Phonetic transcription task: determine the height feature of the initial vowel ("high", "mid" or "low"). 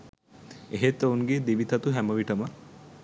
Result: mid